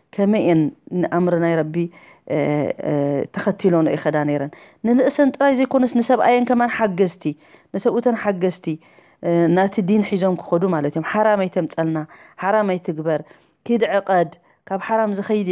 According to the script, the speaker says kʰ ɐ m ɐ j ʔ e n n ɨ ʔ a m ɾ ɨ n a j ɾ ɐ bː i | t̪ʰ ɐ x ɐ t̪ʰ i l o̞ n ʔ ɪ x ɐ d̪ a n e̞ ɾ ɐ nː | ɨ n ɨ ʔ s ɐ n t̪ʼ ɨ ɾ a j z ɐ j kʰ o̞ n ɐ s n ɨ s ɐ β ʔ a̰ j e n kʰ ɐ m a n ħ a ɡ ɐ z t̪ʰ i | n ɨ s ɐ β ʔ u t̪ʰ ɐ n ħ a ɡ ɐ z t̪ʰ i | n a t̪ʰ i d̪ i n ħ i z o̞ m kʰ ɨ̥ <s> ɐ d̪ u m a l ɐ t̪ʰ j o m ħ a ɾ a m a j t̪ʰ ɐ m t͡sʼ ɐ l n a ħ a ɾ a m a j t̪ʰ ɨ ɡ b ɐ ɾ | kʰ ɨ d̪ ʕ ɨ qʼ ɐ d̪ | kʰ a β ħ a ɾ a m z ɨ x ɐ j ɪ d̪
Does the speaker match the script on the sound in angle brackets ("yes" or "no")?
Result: no